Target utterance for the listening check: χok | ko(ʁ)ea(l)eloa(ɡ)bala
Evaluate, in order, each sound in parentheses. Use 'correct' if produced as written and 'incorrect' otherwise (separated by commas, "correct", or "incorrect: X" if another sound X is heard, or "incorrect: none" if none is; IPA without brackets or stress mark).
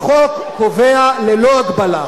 incorrect: v, correct, correct